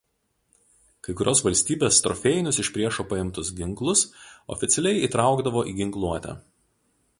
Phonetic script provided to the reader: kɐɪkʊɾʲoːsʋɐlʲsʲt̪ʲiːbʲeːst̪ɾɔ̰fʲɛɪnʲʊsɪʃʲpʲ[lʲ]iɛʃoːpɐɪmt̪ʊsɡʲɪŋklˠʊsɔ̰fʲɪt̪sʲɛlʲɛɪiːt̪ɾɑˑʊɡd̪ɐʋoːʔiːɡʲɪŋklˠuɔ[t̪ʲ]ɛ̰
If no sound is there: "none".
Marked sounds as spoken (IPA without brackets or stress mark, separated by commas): ɾʲ, t̪ʲ